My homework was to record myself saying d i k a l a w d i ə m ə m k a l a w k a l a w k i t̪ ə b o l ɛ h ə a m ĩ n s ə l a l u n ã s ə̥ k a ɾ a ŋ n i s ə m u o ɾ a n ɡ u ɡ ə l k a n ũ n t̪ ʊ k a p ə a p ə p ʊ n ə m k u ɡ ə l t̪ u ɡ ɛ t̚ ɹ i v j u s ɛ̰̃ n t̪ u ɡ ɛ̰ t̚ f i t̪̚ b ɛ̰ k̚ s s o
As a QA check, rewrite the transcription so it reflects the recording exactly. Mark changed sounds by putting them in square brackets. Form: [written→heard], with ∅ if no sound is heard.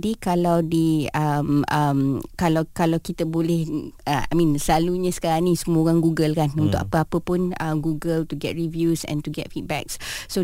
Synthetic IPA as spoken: d i k a l a w d i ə m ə m k a l a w k a l a w k i t̪ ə b o l ɛ h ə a m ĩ n s ə l a l u [n→ɲ] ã s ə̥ k a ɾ a ŋ n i s ə m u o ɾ a [n→ŋ] ɡ u ɡ ə l k a n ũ n t̪ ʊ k a p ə a p ə p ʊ n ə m [k→ɡ] u ɡ ə l t̪ u ɡ ɛ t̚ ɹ i v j u s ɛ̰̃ n t̪ u ɡ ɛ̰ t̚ f i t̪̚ b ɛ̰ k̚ s s o